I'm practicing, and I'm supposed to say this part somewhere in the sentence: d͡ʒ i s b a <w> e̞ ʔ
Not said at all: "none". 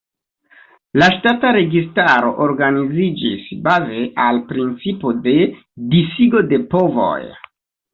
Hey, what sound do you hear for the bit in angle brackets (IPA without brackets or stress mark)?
v